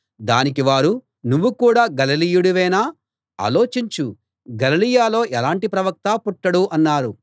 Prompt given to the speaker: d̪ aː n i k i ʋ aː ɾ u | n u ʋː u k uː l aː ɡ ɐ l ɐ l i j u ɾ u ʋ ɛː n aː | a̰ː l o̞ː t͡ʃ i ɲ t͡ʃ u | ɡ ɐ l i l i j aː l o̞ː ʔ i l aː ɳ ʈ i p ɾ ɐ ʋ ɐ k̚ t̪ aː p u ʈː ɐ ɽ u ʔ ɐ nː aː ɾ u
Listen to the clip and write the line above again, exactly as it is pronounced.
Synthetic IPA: d̪ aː n i k i ʋ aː ɾ u | n u ʋː u k uː ɽ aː ɡ ɐ l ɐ l i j u ɽ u ʋ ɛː n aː | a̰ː l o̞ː t͡ʃ i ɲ t͡ʃ u | ɡ ɐ l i l i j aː l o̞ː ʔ ɛ l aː ɳ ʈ i p ɾ ɐ ʋ ɐ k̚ t̪ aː p u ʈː ɐ ɽ u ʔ ɐ nː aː ɾ u